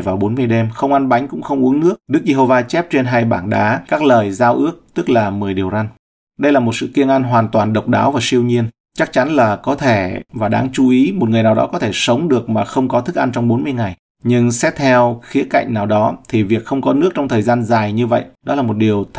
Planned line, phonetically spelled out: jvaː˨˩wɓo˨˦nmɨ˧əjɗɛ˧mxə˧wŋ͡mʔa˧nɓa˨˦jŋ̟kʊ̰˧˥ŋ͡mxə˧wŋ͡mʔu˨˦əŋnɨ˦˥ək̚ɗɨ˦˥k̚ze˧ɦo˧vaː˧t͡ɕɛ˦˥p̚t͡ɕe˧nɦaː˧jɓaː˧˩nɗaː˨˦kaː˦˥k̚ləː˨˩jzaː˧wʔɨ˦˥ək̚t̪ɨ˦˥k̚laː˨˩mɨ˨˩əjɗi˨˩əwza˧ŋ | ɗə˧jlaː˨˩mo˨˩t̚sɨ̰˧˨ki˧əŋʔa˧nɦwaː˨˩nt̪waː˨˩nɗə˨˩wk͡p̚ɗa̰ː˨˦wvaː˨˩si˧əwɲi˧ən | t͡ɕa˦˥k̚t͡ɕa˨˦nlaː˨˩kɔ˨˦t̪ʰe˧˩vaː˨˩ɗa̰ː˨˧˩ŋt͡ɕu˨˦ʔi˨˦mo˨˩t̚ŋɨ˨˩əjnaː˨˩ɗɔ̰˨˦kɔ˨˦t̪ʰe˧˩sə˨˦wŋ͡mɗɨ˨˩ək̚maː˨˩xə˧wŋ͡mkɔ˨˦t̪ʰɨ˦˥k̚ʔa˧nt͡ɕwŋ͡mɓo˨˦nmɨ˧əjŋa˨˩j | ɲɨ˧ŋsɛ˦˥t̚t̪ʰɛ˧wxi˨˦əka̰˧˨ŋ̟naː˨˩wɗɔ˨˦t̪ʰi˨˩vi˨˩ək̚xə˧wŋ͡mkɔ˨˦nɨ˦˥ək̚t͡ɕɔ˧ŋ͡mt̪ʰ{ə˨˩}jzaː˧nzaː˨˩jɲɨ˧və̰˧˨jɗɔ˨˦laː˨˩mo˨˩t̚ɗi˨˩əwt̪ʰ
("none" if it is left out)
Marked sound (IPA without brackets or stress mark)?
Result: əː˨˩